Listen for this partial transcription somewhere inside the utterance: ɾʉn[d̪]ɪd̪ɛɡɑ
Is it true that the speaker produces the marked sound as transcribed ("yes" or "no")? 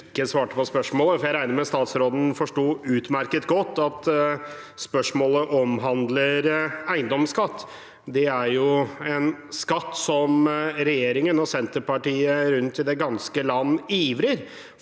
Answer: no